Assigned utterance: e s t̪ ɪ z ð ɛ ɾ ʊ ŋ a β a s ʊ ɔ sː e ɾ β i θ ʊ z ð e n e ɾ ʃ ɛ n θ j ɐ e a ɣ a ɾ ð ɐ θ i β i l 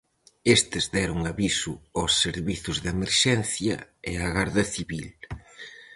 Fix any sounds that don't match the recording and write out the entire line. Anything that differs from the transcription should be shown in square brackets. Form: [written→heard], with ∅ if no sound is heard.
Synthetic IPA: e s t̪ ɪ z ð ɛ ɾ ʊ ŋ a β [a→i] s ʊ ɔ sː e ɾ β i θ ʊ z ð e [n→m] e ɾ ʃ ɛ n θ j ɐ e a ɣ a ɾ ð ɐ θ i β i l